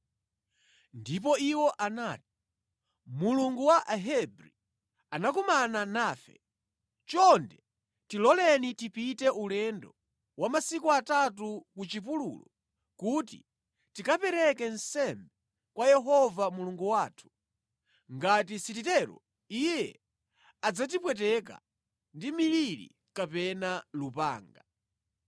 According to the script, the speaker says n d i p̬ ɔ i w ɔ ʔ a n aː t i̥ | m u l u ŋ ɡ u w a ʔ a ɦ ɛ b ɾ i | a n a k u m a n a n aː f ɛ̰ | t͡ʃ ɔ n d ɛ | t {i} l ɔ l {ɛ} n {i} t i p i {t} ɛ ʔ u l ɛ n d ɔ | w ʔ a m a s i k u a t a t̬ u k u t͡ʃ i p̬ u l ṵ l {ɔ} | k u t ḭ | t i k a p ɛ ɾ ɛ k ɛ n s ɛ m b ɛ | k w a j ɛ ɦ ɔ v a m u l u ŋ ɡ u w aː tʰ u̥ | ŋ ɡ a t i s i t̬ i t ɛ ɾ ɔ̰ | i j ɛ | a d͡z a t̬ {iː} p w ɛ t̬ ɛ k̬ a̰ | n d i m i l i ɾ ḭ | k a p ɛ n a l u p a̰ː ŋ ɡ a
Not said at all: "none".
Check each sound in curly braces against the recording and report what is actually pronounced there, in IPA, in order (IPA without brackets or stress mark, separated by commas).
i, ɛ, i, t, ɔ, i